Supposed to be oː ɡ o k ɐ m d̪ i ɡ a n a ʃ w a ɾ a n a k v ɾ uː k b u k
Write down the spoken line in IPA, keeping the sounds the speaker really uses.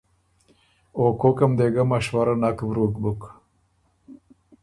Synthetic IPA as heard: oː k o k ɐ m d̪ e ɡ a m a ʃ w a ɾ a n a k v ɾ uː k b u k